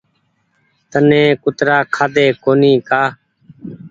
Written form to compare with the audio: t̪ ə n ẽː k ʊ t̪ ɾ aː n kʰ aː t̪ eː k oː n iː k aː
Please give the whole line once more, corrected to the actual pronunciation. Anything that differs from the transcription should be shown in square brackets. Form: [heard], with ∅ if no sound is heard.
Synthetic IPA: t̪ ə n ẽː k ʊ t̪ ɾ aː [∅] kʰ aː [d̪] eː k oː n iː k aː